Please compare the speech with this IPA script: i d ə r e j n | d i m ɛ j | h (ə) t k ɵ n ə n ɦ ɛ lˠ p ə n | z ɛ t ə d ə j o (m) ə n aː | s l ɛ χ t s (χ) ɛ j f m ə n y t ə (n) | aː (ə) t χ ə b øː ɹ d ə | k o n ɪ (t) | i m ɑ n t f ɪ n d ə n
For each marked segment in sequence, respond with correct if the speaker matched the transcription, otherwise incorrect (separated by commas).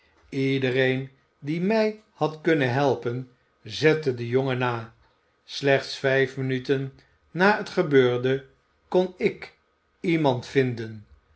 incorrect, incorrect, incorrect, incorrect, correct, incorrect